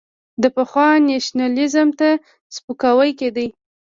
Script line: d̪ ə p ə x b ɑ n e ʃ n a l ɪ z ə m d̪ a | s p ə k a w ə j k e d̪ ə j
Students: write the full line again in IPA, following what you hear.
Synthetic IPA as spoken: d̪ ə p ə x w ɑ n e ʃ n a l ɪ z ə m t̪ a | s p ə k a w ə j k e d̪ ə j

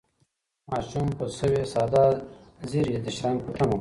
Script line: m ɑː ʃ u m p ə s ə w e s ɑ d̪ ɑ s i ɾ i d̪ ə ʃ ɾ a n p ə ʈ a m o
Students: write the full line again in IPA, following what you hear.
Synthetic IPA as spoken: m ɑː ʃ u m p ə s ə w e s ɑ d̪ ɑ z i ɾ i d̪ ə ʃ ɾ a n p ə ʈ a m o

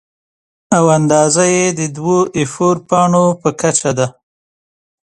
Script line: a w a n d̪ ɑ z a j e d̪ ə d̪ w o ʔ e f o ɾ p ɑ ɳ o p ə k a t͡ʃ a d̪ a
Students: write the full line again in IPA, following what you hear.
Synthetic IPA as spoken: a w a n d̪ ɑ z a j e d̪ ə d̪ w o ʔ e f o ɾ p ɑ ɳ o p ə k a t͡ʃ a d̪ a

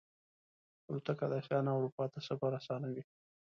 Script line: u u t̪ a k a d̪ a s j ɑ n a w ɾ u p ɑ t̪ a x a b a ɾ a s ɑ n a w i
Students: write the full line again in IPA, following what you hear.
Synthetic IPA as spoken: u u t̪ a k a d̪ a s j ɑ n a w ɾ u p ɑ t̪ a s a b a ɾ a s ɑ n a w i

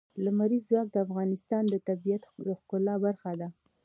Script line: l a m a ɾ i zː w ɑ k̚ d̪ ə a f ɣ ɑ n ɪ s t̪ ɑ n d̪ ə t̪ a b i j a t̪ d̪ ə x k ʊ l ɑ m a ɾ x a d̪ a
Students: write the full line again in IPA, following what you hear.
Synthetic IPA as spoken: l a m a ɾ i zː w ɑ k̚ d̪ ə a f ɣ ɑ n ɪ s t̪ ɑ n d̪ ə t̪ a b i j a t̪ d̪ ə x k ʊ l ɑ b a ɾ x a d̪ a

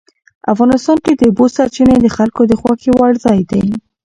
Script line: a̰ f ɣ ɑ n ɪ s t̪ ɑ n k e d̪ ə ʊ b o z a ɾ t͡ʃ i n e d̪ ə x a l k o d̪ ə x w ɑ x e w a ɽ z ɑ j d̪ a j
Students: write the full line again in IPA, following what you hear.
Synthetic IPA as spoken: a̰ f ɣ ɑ n ɪ s t̪ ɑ n k e d̪ ə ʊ b o s a ɾ t͡ʃ i n e d̪ ə x a l k o d̪ ə x w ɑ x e w a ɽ z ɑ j d̪ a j

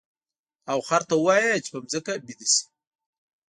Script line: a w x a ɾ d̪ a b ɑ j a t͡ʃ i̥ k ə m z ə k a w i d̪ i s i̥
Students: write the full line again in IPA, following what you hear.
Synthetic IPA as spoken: a w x a ɾ t̪ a w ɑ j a t͡ʃ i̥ p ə m z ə k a b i d̪ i s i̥

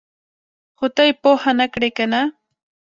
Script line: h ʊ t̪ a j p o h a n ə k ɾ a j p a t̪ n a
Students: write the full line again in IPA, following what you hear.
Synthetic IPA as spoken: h ʊ t̪ a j p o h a n a k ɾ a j k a n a

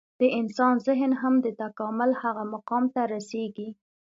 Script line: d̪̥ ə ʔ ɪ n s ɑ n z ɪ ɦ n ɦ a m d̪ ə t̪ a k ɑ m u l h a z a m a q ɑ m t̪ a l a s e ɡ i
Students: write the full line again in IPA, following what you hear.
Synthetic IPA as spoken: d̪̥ ə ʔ ɪ n s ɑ n z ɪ ɦ n ɦ a m d̪ ə t̪ a k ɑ m ʊ l h a ɣ a m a q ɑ m t̪ a ɾ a s e ɡ i

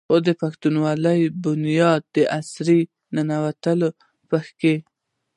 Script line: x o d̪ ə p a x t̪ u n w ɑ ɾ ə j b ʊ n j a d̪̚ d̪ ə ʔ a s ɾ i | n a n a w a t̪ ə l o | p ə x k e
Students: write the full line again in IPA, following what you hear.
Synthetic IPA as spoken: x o d̪ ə p a x t̪ u n w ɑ l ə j b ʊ n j ɑ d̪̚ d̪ ə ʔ a s ɾ i | n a n a w a t̪ ə l o | p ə x k e

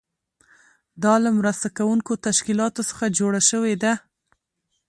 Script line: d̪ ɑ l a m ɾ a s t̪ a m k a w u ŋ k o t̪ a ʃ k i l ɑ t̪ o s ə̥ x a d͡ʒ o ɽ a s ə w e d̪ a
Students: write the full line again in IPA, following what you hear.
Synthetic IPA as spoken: d̪ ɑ l a m ɾ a s t̪ a k a w u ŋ k o t̪ a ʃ k i l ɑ t̪ o s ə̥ x a d͡ʒ o ɽ a ʃ ə w e d̪ a

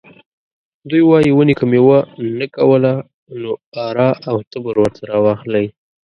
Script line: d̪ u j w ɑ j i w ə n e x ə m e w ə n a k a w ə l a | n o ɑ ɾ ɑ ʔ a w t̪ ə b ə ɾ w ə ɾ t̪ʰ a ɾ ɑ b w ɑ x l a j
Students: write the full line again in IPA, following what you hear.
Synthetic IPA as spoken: d̪ u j w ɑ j i w ə n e k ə m e w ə n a k a w ə l a | n o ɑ ɾ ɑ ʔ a w t̪ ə b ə ɾ w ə ɾ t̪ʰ a ɾ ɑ w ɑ x l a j

